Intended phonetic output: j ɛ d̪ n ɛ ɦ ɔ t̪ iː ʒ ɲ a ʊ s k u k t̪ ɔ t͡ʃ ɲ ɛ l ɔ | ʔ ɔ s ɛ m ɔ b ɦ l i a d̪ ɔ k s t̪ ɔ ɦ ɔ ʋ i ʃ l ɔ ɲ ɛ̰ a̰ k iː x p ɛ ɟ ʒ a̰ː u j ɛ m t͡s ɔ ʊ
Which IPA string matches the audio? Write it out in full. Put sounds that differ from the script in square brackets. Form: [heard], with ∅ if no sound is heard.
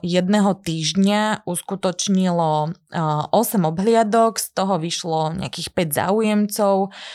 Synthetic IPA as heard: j ɛ d̪ n ɛ ɦ ɔ t̪ iː ʒ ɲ a [u] s k u [∅] t̪ ɔ t͡ʃ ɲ [i] l ɔ | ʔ ɔ s ɛ m ɔ b ɦ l [ɪ] a d̪ ɔ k s t̪ ɔ ɦ ɔ ʋ i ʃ l ɔ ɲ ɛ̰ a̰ k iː x p ɛ ɟ [z] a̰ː u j ɛ m t͡s ɔ ʊ